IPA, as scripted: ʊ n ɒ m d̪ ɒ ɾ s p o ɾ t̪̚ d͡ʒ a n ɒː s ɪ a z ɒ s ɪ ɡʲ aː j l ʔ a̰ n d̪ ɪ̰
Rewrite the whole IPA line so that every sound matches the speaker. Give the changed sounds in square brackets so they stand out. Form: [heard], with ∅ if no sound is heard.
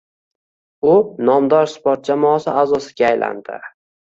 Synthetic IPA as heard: ʊ n ɒ m d̪ ɒ ɾ s p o ɾ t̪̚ d͡ʒ a [m] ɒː s ɪ a z ɒ s ɪ ɡʲ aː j l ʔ a̰ n d̪ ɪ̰